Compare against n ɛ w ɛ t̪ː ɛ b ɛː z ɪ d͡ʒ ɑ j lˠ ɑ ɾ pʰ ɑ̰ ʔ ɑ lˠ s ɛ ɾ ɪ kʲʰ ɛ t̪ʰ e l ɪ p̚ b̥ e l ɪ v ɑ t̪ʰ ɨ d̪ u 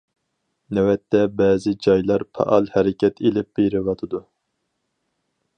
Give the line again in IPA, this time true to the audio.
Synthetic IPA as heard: n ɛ w ɛ t̪ː ɛ b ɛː z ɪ d͡ʒ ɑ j lˠ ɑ ɾ pʰ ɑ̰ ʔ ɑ lˠ h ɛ ɾ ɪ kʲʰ ɛ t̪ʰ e l ɪ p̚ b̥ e ɾ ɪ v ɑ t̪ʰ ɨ d̪ u